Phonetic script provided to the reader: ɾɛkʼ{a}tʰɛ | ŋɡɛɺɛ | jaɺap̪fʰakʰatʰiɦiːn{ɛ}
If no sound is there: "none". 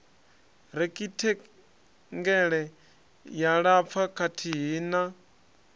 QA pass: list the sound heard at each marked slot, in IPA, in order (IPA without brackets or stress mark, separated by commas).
i, a